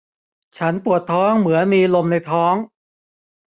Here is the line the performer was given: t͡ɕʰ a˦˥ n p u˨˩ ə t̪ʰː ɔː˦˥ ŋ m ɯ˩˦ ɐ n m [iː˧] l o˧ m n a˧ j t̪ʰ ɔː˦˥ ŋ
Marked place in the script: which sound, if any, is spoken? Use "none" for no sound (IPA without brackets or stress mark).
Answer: iː˧